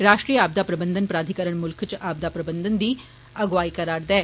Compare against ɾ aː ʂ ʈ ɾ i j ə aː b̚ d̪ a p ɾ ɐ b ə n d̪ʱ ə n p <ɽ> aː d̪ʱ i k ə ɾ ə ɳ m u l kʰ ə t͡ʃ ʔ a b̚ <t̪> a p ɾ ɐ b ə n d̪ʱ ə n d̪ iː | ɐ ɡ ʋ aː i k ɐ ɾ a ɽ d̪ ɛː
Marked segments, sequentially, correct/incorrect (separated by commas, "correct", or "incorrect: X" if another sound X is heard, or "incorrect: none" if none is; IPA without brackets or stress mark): incorrect: ɾ, incorrect: d̪